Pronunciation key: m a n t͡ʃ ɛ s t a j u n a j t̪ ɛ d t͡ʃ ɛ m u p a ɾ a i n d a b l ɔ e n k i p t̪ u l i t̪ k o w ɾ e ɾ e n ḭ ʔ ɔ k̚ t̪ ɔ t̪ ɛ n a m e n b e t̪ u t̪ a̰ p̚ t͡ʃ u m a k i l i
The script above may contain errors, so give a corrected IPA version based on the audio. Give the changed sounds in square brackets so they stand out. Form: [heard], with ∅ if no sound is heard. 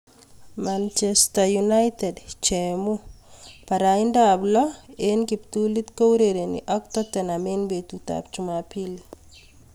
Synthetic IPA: m a n t͡ʃ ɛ s t a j u n a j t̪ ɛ d t͡ʃ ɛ m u p a ɾ a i n d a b l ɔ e n k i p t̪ u l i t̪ k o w ɾ e ɾ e n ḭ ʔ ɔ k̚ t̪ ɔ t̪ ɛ n a m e n b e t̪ u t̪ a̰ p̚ t͡ʃ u m a [p] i l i